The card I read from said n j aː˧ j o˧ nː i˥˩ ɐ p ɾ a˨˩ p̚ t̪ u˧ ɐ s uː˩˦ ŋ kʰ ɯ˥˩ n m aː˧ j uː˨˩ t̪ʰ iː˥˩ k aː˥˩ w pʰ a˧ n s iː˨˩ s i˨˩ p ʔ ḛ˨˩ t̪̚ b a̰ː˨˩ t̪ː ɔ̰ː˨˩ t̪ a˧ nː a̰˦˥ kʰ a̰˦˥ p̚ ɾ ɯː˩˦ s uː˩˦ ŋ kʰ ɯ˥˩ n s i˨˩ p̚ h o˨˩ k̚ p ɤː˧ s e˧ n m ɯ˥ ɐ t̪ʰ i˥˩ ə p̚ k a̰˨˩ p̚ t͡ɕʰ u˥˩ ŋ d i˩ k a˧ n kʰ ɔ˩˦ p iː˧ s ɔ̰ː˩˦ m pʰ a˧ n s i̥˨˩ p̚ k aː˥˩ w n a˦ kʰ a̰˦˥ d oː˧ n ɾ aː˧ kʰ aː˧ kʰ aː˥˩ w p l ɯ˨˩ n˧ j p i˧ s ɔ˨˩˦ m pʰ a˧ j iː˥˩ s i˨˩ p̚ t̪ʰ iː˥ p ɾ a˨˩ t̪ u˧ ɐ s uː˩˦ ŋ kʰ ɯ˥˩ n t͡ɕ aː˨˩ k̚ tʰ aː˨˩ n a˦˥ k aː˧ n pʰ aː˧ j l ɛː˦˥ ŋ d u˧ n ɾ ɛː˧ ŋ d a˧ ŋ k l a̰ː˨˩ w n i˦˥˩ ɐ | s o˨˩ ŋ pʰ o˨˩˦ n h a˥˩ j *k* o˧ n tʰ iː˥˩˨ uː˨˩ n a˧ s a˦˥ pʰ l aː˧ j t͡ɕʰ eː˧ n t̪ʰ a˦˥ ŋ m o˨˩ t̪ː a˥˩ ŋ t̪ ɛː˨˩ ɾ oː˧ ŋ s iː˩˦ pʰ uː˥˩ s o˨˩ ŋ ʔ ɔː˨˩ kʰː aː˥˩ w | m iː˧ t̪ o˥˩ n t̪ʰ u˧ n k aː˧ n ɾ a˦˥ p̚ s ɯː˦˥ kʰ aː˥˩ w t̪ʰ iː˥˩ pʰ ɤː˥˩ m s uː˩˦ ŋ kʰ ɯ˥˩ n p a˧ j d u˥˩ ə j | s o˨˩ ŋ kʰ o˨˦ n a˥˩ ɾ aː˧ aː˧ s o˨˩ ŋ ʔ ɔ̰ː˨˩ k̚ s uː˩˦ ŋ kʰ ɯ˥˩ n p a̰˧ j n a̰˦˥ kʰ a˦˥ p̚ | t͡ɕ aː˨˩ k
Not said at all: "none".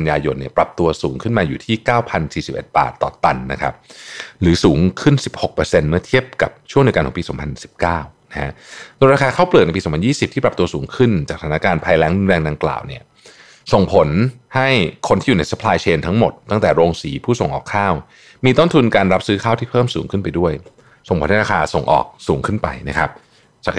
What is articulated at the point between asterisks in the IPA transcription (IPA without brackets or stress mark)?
kʰ